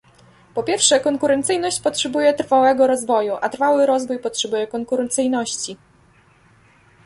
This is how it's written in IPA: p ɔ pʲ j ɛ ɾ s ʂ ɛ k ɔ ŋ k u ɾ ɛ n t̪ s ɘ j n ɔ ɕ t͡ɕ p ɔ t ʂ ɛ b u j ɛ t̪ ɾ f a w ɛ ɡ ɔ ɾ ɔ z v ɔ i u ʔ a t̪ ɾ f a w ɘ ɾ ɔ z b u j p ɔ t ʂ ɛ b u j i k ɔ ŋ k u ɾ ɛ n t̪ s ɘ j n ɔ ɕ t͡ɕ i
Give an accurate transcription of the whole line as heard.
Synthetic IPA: p ɔ pʲ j ɛ ɾ f ʂ ɛ k ɔ ŋ k u ɾ ɛ n t̪ s ɘ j n ɔ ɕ t͡ɕ p ɔ t ʂ ɛ b u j ɛ t̪ ɾ f a w ɛ ɡ ɔ ɾ ɔ z v ɔ j u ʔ a t̪ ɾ f a w ɘ ɾ ɔ z v u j p ɔ t ʂ ɛ b u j ɛ k ɔ ŋ k u ɾ ɛ n t̪ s ɘ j n ɔ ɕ t͡ɕ i

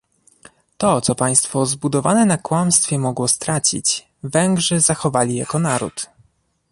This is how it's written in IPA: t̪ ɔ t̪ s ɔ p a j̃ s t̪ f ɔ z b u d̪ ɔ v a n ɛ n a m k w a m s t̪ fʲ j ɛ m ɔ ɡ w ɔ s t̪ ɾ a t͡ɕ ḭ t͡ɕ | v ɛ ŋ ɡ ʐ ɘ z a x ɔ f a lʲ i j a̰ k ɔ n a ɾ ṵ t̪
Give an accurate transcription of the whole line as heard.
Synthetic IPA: t̪ ɔ t̪ s ɔ p a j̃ s t̪ f ɔ z b u d̪ ɔ v a n ɛ n a k w a m s t̪ fʲ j ɛ m ɔ ɡ w ɔ s t̪ ɾ a t͡ɕ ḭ t͡ɕ | v ɛ ŋ ɡ ʐ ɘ z a x ɔ v a lʲ i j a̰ k ɔ n a ɾ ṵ t̪

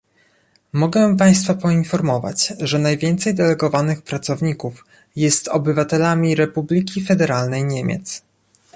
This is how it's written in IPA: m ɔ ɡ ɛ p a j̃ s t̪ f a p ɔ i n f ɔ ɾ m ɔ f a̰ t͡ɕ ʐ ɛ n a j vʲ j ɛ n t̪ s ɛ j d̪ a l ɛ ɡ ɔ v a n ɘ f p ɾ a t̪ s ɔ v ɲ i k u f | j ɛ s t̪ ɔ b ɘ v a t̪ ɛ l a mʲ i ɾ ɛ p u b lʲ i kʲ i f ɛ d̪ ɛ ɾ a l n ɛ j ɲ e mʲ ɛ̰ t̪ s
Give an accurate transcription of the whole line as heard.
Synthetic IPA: m ɔ ɡ ɛ p a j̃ s t̪ f a p ɔ i n f ɔ ɾ m ɔ v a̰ t͡ɕ ʐ ɛ n a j vʲ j ɛ n t̪ s ɛ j d̪ ɛ l ɛ ɡ ɔ v a n ɘ x p ɾ a t̪ s ɔ v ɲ i k u f | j ɛ s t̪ ɔ b ɘ v a t̪ ɛ l a mʲ i ɾ ɛ p u b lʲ i kʲ i f ɛ d̪ ɛ ɾ a l n ɛ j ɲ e mʲ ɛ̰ t̪ s

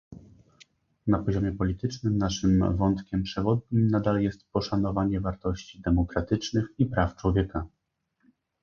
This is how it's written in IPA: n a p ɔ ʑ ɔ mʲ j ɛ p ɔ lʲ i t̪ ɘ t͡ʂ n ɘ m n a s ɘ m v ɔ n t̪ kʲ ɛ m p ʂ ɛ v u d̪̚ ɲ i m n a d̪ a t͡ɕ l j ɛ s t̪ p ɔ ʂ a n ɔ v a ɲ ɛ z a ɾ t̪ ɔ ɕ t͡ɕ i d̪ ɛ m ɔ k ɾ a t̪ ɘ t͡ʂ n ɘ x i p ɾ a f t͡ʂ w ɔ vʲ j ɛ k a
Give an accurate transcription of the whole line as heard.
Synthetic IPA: n a p ɔ ʑ ɔ mʲ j ɛ p ɔ lʲ i t̪ ɘ t͡ʂ n ɘ m n a ʂ ɘ m v ɔ n t̪ kʲ ɛ m p ʂ ɛ v ɔ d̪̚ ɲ i m n a d̪ a l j ɛ s t̪ p ɔ ʂ a n ɔ v a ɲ ɛ v a ɾ t̪ ɔ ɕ t͡ɕ i d̪ ɛ m ɔ k ɾ a t̪ ɘ t͡ʂ n ɘ x i p ɾ a f t͡ʂ w ɔ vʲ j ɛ k a

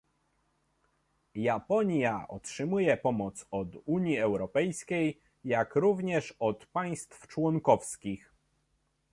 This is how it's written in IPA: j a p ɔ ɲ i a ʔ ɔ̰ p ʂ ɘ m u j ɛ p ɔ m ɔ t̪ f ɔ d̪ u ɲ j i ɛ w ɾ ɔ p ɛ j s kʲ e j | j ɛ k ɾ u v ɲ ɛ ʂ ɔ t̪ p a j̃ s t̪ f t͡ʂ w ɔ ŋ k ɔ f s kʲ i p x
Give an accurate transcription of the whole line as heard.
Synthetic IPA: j a p ɔ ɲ j a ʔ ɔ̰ t ʂ ɘ m u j ɛ p ɔ m ɔ t̪ s ɔ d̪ u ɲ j i ɛ w ɾ ɔ p ɛ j s kʲ e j | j a k ɾ u v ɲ ɛ ʂ ɔ t̪ p a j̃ s t̪ f t͡ʂ w ɔ ŋ k ɔ f s kʲ i x

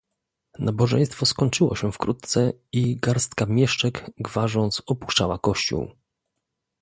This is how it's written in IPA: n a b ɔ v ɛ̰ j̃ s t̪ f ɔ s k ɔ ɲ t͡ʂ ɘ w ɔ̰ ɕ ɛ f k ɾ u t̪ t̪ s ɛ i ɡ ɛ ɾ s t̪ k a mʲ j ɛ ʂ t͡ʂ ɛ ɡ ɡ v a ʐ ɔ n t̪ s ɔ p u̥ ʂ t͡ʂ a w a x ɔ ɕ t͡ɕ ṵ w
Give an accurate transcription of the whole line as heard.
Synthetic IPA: n a b ɔ ʐ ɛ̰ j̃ s t̪ f ɔ s k ɔ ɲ t͡ʂ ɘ w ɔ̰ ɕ ɛ f k ɾ u t̪ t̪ s ɛ i ɡ a ɾ s t̪ k a mʲ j ɛ ʂ t͡ʂ ɛ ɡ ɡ v a ʐ ɔ n t̪ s ɔ p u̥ ʂ t͡ʂ a w a k ɔ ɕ t͡ɕ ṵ w

